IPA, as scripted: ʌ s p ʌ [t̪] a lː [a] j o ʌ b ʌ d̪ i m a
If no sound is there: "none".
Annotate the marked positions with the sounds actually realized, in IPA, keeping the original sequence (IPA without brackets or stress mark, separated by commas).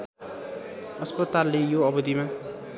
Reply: t̪, e